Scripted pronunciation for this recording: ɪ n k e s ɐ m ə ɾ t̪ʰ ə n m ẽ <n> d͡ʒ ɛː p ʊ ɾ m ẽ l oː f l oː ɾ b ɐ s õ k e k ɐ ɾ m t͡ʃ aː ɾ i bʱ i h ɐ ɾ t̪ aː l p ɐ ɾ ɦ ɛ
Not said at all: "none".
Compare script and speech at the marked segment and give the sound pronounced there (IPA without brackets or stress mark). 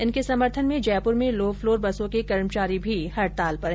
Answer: none